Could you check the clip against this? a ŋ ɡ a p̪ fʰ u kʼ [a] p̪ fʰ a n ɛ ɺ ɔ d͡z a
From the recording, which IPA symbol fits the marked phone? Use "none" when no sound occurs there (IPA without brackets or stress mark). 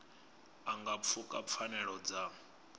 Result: a